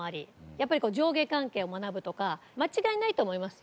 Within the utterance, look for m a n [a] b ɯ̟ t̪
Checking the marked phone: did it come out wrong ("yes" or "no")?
no